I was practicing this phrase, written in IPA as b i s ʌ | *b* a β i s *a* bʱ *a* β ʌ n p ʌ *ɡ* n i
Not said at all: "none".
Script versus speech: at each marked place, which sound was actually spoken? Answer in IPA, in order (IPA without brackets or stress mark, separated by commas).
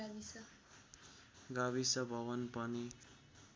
ɡ, ʌ, ʌ, none